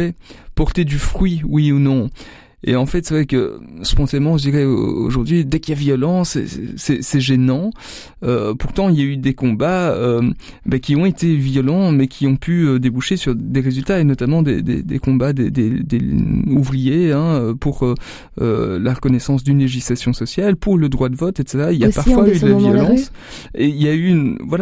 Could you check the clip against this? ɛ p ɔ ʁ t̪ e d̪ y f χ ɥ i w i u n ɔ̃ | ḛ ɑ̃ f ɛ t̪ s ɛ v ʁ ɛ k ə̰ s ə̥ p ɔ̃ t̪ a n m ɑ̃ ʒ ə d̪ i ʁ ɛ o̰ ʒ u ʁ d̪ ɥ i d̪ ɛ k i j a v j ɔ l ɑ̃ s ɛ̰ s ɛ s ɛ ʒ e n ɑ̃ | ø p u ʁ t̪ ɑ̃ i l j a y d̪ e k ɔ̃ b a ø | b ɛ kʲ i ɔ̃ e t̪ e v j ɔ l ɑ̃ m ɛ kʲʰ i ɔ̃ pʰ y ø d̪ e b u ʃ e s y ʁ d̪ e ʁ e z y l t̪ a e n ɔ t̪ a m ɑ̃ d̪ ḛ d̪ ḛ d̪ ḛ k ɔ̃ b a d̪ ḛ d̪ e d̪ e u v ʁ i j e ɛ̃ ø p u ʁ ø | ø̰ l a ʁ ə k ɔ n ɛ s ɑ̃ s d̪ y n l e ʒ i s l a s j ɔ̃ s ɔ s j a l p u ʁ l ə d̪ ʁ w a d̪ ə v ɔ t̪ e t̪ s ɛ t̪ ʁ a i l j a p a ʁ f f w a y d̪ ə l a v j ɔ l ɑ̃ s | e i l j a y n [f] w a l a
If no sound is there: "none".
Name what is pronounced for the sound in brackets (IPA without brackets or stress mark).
v